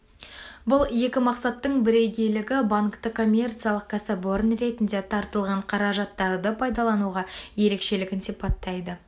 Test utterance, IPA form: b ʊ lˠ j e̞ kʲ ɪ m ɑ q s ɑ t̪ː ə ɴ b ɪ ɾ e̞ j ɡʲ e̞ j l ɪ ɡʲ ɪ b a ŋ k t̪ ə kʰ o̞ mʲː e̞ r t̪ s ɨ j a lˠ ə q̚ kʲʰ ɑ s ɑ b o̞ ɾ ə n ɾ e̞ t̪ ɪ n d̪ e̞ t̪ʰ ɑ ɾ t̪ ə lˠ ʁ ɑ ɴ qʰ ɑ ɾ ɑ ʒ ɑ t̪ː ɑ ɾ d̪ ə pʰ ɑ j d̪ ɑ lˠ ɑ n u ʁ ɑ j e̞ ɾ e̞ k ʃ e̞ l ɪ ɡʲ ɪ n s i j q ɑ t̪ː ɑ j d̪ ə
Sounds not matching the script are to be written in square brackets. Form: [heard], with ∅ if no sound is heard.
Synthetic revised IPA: b ʊ lˠ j e̞ kʲ ɪ m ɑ q s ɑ t̪ː ə ɴ b ɪ ɾ e̞ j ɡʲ e̞ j l ɪ ɡʲ ɪ b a ŋ k t̪ ə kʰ o̞ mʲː e̞ r t̪ s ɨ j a lˠ ə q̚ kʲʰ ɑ s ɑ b o̞ ɾ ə n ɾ e̞ t̪ ɪ n d̪ e̞ t̪ʰ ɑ ɾ t̪ ə lˠ ʁ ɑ ɴ qʰ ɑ ɾ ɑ ʒ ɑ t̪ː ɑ ɾ d̪ ə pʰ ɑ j d̪ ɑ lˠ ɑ n u ʁ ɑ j e̞ ɾ e̞ k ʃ e̞ l ɪ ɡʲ ɪ n s i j [p] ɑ t̪ː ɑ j d̪ ə

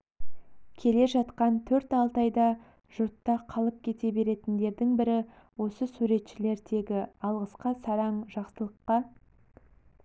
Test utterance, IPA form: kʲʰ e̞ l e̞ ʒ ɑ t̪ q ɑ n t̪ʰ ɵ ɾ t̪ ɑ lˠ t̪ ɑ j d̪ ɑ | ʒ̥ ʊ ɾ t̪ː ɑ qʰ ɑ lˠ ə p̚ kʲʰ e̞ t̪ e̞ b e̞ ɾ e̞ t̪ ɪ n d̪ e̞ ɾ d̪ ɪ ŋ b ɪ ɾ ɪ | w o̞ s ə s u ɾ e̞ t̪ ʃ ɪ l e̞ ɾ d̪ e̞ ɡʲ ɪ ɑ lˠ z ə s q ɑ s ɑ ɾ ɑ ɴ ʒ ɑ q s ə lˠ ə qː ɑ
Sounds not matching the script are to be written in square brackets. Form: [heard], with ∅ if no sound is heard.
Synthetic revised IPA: kʲʰ e̞ l e̞ ʒ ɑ t̪ q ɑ n t̪ʰ ɵ ɾ t̪ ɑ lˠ t̪ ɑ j d̪ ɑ | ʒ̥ ʊ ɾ t̪ː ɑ qʰ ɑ lˠ ə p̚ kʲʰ e̞ t̪ e̞ b e̞ ɾ e̞ t̪ ɪ n d̪ e̞ ɾ d̪ ɪ ŋ b ɪ ɾ ɪ | w o̞ s ə s u ɾ e̞ t̪ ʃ ɪ l e̞ ɾ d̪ e̞ ɡʲ ɪ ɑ lˠ [ʁ] ə s q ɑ s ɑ ɾ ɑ ɴ ʒ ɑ q s ə lˠ ə qː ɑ

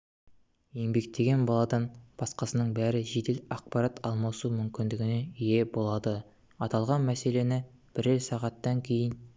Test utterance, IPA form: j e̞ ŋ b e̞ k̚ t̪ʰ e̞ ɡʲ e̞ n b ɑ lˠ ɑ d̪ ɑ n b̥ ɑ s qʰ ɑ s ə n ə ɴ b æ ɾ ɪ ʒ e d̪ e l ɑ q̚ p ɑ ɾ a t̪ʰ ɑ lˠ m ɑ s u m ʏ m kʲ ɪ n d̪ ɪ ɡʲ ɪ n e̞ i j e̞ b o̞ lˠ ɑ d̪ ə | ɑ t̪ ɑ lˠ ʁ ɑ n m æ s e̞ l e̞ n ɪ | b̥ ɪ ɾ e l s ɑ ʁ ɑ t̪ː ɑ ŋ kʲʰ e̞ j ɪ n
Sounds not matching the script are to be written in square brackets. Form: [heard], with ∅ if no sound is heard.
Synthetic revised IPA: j e̞ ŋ b e̞ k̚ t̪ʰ e̞ ɡʲ e̞ n b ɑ lˠ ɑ d̪ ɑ n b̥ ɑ s [q] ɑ s ə n ə ɴ b æ ɾ ɪ ʒ e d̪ e l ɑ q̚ p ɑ ɾ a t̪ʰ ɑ lˠ m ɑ s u m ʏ m kʲ ɪ n d̪ ɪ ɡʲ ɪ n e̞ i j e̞ b o̞ lˠ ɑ d̪ ə | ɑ t̪ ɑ lˠ ʁ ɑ n m æ s e̞ l e̞ n ɪ | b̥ ɪ ɾ e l s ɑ ʁ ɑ t̪ː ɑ ŋ kʲʰ e̞ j ɪ n

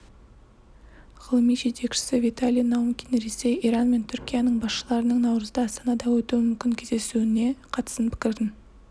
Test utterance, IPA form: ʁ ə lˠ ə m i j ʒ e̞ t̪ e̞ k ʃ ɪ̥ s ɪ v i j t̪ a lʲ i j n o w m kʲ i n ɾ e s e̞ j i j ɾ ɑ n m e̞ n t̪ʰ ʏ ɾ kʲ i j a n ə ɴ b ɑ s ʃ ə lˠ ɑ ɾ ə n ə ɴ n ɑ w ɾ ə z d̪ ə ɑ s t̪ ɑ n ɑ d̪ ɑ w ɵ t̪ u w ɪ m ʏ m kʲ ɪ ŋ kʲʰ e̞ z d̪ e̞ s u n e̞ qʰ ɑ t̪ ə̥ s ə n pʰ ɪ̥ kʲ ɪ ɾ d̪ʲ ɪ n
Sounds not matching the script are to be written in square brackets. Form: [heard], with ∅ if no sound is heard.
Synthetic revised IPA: ʁ ə lˠ ə m i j ʒ e̞ t̪ e̞ k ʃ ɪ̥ s ɪ v i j t̪ a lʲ i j n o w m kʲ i n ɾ e s e̞ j i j ɾ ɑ n m e̞ n t̪ʰ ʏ ɾ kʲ i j a n ə ɴ b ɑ s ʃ ə lˠ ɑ ɾ ə n ə ɴ n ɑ w ɾ ə z d̪ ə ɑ s t̪ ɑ n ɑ d̪ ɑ w ɵ t̪ u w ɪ m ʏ m kʲ ɪ ŋ kʲʰ e̞ z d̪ e̞ s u n e̞ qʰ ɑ t̪ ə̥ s ə n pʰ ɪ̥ kʲ ɪ ɾ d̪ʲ ɪ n

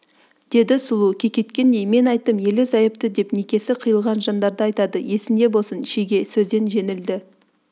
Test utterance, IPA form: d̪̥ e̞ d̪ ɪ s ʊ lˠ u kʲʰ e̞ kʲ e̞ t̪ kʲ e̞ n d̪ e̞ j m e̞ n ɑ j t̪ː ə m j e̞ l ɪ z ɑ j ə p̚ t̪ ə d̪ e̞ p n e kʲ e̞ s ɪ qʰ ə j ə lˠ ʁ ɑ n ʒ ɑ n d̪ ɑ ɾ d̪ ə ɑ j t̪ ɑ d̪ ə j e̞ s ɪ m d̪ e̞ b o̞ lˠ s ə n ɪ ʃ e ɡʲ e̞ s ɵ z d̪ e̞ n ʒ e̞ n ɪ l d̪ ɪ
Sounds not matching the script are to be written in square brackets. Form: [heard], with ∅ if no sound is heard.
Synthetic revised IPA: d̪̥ e̞ d̪ ɪ s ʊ lˠ u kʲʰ e̞ kʲ e̞ t̪ kʲ e̞ n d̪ e̞ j m e̞ n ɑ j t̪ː ə m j e̞ l ɪ z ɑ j ə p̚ t̪ ə d̪ e̞ p n e kʲ e̞ s ɪ qʰ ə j ə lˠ ʁ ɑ n ʒ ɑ n d̪ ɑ ɾ d̪ ə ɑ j t̪ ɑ d̪ ə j e̞ s ɪ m d̪ e̞ b o̞ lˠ s ə n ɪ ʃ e ɡʲ e̞ s ɵ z d̪ e̞ n ʒ e̞ n ɪ l d̪ ɪ

